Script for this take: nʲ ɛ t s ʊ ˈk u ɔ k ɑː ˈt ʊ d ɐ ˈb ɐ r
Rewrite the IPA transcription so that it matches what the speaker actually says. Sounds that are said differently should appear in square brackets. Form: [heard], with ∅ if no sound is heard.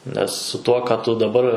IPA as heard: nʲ ɛ [s] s ʊ [ˈt] u ɔ k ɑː ˈt ʊ d ɐ ˈb ɐ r